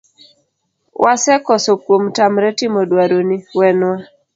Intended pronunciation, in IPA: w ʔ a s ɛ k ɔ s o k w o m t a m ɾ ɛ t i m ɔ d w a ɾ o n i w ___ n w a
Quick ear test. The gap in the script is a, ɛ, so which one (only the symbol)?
ɛ